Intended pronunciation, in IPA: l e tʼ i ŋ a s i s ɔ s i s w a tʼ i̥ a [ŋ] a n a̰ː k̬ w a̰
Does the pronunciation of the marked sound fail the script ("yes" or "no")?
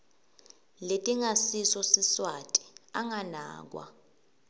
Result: no